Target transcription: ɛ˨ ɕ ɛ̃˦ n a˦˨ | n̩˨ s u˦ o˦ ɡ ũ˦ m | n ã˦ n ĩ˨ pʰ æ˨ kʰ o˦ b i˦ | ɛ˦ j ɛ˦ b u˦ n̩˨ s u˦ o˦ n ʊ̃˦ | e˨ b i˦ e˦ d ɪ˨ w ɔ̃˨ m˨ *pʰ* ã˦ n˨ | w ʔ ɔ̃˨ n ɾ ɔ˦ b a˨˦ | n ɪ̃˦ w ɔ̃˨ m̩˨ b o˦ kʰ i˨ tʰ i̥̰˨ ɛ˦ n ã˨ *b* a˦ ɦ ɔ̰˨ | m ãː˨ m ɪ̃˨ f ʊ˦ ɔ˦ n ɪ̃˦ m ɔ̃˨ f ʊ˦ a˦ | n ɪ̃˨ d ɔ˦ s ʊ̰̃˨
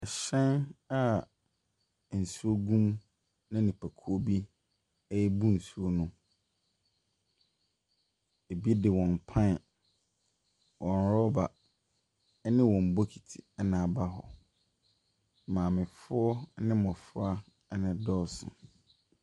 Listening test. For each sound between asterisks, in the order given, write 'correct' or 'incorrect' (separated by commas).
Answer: correct, correct